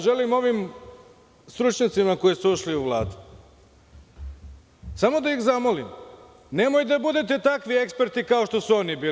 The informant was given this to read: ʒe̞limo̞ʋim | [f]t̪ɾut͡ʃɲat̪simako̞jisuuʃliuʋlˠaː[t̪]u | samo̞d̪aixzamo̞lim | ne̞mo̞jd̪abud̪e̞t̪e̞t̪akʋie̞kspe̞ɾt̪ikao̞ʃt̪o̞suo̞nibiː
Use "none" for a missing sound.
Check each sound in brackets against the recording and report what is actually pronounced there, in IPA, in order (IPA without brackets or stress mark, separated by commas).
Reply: s, d̪